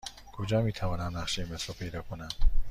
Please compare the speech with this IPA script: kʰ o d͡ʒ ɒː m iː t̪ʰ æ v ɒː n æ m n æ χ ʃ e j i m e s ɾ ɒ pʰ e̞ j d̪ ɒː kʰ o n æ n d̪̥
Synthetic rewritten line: kʰ o d͡ʒ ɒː m iː t̪ʰ æ v ɒː n æ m n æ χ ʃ e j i m e s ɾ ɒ pʰ e̞ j d̪ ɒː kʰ o n æ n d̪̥